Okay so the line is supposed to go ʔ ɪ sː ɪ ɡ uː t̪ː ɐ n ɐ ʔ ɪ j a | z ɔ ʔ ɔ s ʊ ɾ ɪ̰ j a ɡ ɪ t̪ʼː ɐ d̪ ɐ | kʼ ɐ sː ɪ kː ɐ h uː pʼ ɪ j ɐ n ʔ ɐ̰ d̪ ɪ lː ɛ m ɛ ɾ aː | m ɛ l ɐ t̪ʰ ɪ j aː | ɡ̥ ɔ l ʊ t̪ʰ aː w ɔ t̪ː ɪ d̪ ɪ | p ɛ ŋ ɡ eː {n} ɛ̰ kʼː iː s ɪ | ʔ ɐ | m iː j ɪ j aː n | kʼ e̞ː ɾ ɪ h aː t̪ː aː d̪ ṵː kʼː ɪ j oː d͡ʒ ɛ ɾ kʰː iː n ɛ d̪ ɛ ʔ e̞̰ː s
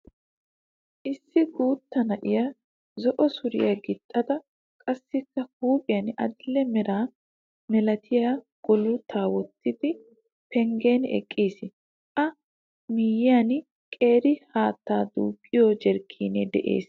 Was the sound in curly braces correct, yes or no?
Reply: yes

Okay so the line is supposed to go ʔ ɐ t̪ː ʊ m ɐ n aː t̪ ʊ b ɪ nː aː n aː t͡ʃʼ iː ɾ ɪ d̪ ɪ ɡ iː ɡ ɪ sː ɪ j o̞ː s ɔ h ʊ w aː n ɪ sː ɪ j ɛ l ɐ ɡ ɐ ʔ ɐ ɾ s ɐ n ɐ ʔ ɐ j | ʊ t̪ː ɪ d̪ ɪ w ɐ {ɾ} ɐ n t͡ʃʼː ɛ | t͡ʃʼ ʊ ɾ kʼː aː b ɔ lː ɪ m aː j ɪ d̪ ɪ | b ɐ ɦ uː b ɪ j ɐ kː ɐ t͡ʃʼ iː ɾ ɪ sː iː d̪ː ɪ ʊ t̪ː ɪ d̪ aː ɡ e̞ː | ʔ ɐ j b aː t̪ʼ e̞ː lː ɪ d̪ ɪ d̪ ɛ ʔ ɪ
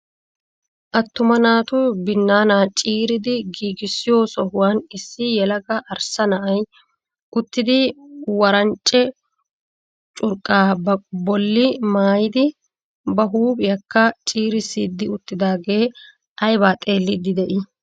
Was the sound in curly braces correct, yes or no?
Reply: yes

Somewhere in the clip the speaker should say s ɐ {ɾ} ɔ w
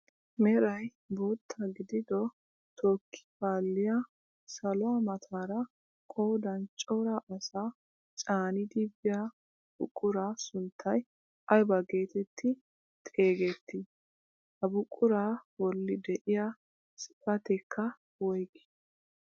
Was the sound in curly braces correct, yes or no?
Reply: no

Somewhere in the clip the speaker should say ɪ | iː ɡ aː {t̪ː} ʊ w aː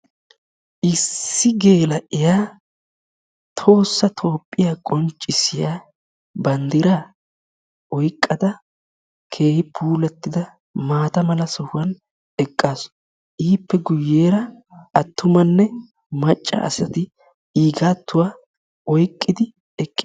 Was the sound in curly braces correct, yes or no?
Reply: yes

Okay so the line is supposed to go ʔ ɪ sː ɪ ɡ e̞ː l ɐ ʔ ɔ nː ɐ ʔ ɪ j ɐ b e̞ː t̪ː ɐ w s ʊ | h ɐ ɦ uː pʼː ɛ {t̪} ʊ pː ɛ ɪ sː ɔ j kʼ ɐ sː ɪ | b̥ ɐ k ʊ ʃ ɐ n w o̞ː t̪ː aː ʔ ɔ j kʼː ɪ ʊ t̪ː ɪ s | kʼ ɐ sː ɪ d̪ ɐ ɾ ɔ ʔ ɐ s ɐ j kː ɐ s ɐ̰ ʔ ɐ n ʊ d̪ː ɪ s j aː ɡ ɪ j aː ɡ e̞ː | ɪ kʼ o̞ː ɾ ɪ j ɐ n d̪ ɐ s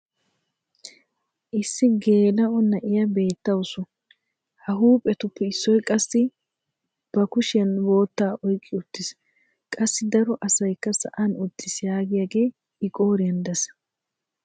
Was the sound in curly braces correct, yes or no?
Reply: yes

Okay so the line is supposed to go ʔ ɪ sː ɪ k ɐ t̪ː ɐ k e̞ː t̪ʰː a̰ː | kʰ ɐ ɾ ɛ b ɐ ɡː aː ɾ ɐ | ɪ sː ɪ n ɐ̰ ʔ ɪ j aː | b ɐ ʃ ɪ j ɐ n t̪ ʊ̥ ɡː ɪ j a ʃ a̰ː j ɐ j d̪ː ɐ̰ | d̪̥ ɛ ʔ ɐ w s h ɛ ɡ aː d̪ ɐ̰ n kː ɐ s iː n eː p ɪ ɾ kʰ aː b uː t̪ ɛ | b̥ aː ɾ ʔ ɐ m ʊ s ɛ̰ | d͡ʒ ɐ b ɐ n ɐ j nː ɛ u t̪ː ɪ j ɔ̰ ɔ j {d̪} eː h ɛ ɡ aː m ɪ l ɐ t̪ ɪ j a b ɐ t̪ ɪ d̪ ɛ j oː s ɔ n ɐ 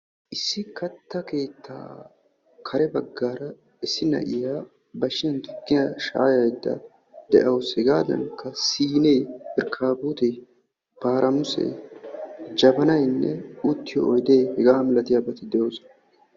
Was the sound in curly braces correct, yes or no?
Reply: yes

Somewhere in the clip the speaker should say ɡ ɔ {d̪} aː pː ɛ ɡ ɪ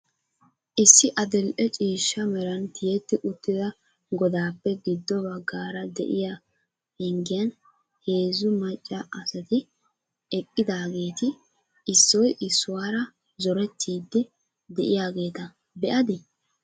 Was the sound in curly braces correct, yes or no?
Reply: yes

